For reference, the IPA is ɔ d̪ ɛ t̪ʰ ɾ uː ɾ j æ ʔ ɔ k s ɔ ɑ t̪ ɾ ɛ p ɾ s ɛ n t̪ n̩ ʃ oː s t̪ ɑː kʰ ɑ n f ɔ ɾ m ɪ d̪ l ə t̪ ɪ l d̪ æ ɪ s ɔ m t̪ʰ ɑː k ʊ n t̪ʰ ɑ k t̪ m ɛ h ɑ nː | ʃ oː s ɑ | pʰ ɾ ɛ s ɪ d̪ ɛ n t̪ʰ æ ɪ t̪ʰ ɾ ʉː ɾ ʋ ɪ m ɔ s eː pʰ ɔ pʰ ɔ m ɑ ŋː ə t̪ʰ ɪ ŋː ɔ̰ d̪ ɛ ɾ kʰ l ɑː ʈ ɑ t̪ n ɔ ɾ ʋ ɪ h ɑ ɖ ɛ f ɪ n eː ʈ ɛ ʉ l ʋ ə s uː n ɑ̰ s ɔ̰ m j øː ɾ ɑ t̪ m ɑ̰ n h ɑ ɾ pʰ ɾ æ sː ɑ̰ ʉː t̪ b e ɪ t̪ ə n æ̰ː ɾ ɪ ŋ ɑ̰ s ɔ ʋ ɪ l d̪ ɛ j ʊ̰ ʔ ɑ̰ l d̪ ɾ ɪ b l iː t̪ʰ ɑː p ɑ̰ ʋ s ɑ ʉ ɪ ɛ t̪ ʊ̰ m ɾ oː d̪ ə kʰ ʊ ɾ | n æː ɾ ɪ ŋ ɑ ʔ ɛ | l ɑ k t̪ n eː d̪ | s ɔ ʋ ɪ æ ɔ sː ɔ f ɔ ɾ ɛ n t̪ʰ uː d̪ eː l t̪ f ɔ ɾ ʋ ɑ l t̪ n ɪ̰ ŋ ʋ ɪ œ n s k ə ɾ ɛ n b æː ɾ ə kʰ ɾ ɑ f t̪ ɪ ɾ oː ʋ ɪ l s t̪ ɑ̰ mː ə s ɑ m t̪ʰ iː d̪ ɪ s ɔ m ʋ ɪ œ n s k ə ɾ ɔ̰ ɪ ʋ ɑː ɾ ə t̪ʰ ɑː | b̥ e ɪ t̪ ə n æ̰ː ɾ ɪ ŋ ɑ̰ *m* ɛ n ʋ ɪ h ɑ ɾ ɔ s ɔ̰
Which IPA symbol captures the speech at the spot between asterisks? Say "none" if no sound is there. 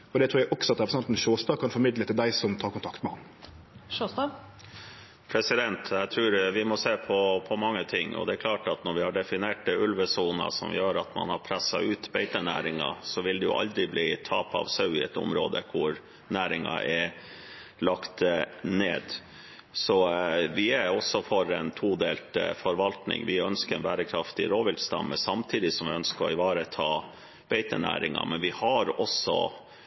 m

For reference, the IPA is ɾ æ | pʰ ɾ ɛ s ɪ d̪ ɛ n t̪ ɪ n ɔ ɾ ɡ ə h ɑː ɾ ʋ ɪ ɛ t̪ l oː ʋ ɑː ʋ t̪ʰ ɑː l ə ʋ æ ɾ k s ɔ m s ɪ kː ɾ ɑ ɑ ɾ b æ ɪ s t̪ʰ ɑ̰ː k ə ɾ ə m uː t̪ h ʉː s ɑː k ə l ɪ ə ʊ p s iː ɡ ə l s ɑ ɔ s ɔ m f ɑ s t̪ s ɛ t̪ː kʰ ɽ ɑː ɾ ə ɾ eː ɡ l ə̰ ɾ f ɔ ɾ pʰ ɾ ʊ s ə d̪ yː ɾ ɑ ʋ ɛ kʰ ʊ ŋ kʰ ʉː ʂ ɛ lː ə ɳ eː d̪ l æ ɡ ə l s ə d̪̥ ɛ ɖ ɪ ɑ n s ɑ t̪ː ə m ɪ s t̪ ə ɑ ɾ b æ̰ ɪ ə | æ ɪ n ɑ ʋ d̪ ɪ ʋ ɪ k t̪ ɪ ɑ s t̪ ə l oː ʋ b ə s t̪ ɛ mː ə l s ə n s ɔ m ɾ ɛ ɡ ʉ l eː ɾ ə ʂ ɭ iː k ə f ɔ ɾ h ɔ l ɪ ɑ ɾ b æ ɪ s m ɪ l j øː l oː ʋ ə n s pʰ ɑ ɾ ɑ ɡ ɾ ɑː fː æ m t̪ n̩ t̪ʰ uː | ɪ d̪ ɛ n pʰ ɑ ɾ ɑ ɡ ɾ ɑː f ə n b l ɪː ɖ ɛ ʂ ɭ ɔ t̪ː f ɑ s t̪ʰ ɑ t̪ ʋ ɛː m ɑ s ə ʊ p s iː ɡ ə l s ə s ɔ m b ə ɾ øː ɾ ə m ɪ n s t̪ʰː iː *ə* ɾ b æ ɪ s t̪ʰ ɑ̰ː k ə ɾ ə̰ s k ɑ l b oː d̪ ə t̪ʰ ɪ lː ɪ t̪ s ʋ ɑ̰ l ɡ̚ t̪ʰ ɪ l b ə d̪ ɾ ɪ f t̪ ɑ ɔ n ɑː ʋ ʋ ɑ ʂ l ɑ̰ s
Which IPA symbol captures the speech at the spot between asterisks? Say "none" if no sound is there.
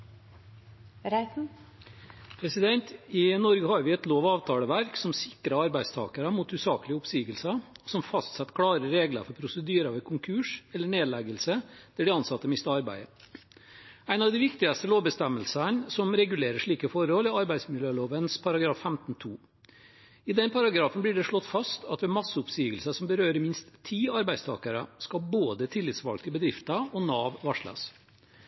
ɑ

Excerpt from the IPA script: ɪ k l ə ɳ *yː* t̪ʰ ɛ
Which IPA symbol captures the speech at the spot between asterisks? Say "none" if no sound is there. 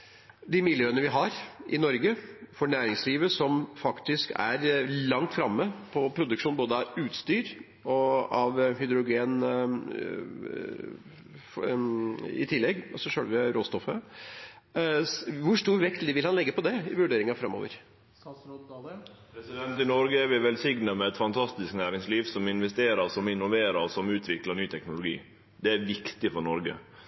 yː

